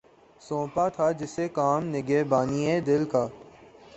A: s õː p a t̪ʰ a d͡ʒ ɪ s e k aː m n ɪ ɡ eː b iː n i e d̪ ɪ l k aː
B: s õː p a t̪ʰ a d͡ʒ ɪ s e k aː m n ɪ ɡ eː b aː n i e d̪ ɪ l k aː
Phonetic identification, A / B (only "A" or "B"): B